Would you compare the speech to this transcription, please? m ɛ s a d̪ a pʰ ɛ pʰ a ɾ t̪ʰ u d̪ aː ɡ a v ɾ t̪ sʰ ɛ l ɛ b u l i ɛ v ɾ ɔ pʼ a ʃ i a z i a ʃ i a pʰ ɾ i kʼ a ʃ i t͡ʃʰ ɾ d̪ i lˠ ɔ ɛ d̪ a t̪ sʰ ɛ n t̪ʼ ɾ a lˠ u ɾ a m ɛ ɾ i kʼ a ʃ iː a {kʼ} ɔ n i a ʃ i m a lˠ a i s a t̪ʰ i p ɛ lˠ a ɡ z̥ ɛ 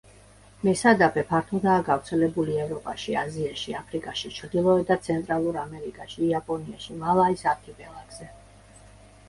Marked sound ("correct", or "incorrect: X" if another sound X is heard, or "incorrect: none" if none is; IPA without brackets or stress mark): incorrect: pʼ